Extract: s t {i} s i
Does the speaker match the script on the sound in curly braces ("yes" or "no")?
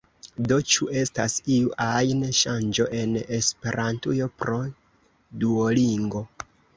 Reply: no